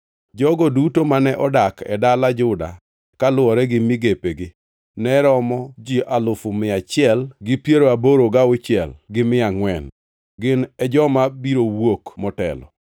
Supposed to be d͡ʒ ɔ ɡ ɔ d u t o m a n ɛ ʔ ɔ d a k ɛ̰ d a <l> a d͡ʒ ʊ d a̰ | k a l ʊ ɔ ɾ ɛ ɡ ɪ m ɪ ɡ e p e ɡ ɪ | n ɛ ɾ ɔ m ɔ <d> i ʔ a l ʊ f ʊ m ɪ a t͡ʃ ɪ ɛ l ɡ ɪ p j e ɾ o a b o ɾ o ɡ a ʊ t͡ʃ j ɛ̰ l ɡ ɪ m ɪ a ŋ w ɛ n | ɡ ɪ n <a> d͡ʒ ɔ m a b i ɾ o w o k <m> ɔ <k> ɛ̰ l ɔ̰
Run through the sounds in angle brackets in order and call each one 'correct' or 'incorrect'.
correct, incorrect: d͡ʒ, incorrect: ɛ, correct, incorrect: t

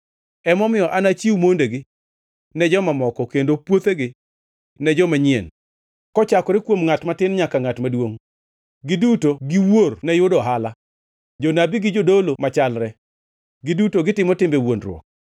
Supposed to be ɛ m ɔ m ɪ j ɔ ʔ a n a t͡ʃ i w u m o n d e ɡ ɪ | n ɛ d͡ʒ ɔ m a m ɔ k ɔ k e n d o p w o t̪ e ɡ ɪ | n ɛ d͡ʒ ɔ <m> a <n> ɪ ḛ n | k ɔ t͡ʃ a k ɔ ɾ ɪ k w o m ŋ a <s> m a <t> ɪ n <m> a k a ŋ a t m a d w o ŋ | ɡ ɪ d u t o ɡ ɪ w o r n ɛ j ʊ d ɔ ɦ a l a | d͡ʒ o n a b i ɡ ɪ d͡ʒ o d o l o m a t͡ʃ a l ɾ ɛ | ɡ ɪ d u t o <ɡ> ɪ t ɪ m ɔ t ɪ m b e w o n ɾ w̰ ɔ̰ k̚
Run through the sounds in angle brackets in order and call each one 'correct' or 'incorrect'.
correct, incorrect: ɲ, incorrect: t, correct, incorrect: ɲ, correct

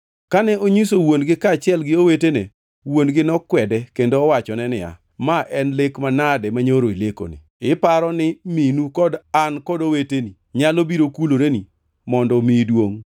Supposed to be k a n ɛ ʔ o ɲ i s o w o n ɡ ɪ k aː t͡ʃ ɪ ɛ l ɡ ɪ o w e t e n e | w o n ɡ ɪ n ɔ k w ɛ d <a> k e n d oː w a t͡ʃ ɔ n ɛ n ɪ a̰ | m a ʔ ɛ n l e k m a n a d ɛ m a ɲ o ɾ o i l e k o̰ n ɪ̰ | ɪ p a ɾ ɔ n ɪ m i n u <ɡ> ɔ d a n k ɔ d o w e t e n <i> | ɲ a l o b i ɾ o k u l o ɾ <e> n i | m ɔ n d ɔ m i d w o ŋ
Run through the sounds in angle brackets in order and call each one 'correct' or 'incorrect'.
incorrect: ɛ, incorrect: k, correct, correct

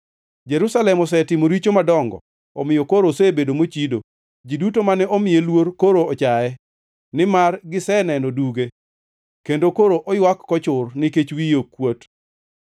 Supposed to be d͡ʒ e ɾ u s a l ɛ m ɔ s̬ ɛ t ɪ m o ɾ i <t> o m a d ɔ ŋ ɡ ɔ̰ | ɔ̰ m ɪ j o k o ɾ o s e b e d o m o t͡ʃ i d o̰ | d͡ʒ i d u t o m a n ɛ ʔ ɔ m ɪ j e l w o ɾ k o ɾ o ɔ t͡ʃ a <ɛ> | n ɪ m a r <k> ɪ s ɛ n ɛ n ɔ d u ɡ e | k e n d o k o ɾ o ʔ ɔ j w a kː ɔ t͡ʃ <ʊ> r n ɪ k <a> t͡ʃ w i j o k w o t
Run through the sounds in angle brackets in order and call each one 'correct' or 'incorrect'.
incorrect: t͡ʃ, correct, incorrect: ɡ, correct, incorrect: e

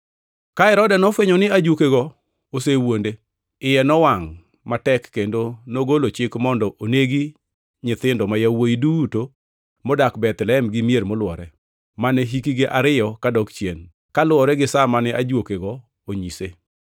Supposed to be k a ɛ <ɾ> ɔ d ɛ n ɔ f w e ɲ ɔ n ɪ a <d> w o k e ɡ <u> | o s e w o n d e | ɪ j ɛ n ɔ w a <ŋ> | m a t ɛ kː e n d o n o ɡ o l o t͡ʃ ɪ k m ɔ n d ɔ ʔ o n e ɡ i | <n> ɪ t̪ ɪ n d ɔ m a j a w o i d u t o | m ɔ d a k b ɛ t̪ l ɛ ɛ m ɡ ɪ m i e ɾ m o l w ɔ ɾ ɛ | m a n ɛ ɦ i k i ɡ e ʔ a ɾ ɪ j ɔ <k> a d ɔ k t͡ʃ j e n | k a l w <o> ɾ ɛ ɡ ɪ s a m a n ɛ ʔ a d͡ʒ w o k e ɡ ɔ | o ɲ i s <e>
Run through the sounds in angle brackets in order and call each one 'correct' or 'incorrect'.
correct, incorrect: d͡ʒ, incorrect: ɔ, correct, incorrect: ɲ, correct, incorrect: ɔ, correct

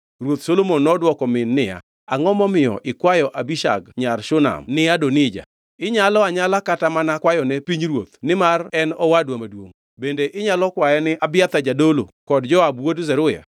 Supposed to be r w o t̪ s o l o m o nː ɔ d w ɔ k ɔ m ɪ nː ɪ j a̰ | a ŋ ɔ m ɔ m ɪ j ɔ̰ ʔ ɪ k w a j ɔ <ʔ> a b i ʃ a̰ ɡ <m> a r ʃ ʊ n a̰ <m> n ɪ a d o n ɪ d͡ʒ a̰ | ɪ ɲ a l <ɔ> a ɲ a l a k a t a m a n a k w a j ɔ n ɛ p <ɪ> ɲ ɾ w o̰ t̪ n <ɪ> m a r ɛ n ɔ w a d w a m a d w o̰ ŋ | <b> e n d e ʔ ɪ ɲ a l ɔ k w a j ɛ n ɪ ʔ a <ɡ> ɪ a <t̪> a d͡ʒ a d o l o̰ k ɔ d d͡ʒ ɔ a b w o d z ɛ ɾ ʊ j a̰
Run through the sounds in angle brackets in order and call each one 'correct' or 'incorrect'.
correct, incorrect: ɲ, correct, correct, incorrect: i, correct, correct, incorrect: b, correct

